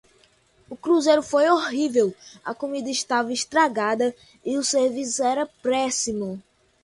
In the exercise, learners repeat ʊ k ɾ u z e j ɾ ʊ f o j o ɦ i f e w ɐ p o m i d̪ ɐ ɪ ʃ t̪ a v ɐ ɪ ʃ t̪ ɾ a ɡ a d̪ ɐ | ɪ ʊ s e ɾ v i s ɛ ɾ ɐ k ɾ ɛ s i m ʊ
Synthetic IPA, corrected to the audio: ʊ k ɾ u z e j ɾ ʊ f o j o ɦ i v e w ɐ k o m i d̪ ɐ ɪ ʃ t̪ a v ɐ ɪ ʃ t̪ ɾ a ɡ a d̪ ɐ | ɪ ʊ s e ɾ v i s ɛ ɾ ɐ p ɾ ɛ s i m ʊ